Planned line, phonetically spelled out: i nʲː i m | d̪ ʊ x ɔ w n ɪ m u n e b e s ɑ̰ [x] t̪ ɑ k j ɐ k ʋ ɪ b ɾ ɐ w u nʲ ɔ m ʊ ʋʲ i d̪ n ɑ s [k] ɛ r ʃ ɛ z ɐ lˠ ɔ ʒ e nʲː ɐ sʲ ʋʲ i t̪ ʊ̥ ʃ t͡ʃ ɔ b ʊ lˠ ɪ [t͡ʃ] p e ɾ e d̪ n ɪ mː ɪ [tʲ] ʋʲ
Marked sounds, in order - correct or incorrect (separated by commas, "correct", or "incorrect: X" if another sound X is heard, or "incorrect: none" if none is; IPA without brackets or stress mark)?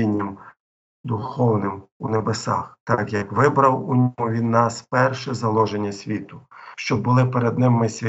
correct, incorrect: p, incorrect: none, incorrect: sʲ